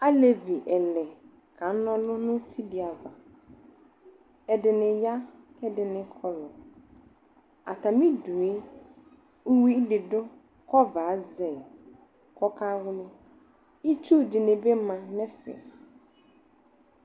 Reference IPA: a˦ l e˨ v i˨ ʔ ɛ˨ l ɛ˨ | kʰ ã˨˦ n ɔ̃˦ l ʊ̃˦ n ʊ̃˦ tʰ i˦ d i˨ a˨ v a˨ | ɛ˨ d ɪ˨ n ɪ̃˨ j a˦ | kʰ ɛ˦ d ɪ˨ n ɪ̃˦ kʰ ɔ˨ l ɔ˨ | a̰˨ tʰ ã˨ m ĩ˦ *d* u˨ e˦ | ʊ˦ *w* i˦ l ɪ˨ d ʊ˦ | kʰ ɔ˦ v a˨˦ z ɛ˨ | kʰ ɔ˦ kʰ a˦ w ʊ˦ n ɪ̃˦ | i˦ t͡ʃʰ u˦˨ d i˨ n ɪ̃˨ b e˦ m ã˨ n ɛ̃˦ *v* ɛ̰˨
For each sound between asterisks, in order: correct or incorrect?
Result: correct, correct, incorrect

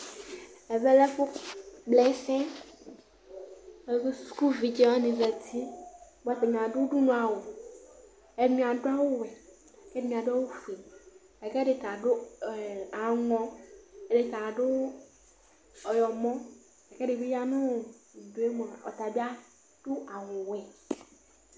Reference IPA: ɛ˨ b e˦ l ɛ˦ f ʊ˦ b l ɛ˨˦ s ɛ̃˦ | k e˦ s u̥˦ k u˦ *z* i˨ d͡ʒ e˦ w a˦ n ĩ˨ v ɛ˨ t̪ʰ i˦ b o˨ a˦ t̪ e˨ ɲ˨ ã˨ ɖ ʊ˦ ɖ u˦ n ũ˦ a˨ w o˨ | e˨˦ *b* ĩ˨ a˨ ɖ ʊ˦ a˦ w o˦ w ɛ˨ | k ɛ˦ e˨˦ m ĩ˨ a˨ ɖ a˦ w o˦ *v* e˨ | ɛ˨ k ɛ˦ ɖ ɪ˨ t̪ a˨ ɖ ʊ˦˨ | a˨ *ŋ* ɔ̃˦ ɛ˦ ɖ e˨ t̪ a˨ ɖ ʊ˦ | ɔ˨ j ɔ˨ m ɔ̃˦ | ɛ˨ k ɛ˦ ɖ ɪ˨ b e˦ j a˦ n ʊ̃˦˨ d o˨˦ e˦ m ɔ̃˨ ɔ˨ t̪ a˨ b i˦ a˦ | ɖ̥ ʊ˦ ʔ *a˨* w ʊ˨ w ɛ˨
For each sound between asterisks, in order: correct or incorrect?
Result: incorrect, incorrect, incorrect, correct, correct

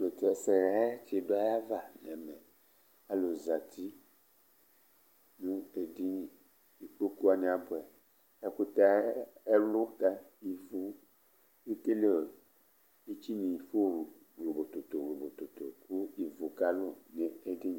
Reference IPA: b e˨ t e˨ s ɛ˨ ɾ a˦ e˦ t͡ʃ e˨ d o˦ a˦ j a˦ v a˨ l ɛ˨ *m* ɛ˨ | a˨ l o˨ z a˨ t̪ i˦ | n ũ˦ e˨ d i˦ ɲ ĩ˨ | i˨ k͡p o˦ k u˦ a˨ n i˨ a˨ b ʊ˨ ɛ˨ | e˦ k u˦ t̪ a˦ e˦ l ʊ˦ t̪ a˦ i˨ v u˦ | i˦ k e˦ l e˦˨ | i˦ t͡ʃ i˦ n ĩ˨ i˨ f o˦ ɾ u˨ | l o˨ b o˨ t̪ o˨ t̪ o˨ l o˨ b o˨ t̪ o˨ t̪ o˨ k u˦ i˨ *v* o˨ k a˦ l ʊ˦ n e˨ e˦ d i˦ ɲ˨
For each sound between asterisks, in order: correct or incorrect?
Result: correct, correct

